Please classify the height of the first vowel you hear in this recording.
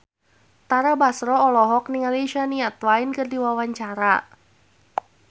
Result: low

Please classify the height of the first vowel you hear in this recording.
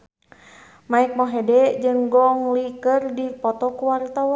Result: low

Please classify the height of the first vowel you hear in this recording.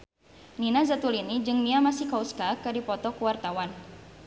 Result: high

